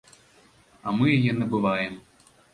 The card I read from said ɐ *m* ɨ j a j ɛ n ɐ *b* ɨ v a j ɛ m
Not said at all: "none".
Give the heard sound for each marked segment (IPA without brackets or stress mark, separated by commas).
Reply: m, b